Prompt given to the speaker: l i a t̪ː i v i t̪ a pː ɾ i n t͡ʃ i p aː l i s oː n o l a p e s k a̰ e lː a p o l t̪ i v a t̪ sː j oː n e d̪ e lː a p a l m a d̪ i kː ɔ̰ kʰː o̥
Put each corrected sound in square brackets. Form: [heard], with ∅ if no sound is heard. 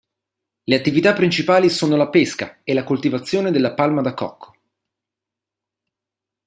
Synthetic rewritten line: l [e] a t̪ː i v i t̪ a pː ɾ i n t͡ʃ i p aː l i s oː n o l a p e s k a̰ e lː a [k] o l t̪ i v a t̪ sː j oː n e d̪ e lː a p a l m a d̪ [a] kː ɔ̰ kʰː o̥